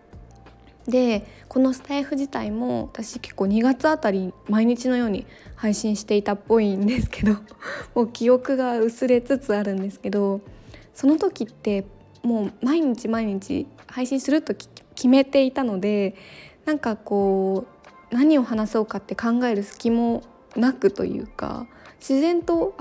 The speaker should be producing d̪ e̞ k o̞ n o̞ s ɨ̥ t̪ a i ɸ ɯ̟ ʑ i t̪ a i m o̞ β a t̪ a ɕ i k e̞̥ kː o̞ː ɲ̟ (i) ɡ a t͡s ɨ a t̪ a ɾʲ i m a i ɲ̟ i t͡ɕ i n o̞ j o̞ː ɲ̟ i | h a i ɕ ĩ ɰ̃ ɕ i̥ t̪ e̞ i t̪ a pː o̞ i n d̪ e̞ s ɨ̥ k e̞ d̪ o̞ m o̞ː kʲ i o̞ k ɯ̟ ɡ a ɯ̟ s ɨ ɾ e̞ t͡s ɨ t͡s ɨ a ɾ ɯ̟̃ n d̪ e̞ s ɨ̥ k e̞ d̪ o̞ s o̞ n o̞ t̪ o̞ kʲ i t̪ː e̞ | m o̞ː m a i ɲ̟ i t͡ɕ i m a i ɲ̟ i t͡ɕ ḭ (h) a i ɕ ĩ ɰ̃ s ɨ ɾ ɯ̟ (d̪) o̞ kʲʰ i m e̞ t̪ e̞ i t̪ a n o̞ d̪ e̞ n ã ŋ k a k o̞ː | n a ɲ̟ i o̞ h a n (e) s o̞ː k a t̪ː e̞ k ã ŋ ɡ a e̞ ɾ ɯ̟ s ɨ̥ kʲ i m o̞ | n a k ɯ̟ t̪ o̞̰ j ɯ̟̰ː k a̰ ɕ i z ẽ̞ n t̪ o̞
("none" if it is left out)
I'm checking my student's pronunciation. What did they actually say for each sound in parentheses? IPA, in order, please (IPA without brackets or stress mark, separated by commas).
i, h, t̪, a